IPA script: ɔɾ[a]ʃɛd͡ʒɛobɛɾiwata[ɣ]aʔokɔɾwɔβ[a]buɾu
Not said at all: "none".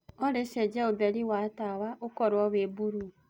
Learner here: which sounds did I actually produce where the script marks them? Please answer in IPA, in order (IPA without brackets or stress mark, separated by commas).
e, w, e